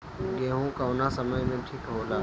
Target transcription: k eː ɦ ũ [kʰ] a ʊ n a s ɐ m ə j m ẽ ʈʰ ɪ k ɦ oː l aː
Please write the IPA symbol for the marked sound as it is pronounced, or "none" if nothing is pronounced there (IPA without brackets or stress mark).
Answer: k